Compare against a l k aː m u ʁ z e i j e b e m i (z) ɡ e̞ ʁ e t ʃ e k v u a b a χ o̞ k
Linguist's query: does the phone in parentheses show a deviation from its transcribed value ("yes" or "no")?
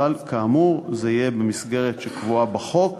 yes